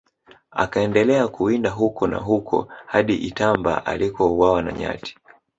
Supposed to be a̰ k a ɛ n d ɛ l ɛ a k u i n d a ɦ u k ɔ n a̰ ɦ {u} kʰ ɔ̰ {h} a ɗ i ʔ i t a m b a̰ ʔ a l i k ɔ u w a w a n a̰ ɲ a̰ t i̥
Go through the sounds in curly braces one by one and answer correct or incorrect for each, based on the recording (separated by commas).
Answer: correct, correct